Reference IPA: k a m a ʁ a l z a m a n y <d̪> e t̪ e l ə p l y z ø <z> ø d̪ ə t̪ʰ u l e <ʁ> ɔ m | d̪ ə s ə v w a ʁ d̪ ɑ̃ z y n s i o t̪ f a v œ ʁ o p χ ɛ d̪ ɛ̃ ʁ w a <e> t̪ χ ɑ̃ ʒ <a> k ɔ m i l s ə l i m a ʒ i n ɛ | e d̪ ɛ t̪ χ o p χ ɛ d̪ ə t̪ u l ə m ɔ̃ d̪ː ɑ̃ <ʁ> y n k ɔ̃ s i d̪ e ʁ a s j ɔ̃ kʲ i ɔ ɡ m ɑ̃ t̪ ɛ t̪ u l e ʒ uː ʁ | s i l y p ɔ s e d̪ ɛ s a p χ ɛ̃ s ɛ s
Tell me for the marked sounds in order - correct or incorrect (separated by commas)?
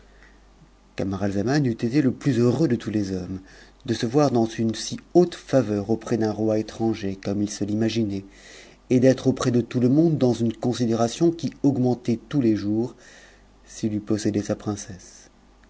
incorrect, incorrect, incorrect, correct, incorrect, incorrect